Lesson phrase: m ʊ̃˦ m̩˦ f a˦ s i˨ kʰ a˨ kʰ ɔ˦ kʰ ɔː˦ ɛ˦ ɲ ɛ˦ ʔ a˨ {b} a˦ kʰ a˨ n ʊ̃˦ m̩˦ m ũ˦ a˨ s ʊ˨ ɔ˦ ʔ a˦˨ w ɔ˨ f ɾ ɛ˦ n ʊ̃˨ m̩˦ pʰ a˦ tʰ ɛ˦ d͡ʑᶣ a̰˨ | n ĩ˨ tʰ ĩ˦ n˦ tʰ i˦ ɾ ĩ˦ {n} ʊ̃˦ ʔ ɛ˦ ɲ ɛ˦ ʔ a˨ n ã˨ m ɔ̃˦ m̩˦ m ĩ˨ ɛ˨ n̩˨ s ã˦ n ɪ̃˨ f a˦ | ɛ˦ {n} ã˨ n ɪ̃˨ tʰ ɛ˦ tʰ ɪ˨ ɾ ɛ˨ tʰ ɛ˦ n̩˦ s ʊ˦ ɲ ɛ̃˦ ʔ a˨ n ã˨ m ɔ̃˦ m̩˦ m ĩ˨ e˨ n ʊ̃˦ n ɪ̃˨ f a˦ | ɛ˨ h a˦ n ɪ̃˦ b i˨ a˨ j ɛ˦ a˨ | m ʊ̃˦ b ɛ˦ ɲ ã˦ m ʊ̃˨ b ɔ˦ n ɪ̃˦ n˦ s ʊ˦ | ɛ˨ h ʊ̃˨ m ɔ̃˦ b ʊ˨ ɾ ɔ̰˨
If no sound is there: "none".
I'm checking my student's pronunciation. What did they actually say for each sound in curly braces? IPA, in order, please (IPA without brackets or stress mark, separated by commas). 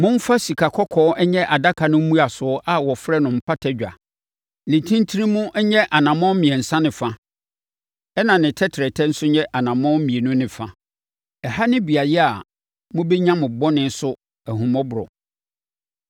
d, m, n